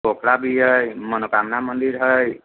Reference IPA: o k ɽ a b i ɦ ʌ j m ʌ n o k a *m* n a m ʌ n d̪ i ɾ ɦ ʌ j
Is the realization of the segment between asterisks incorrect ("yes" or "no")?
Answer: no